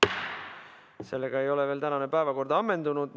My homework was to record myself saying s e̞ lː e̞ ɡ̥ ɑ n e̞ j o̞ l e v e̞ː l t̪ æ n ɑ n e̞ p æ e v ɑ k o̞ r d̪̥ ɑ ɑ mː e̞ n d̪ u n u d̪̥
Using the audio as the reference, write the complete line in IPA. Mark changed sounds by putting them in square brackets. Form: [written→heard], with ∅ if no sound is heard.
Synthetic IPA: s e̞ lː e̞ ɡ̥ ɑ [n→∅] e̞ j o̞ l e v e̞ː l t̪ æ n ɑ n e̞ p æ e v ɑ k o̞ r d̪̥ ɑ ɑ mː e̞ n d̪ u n u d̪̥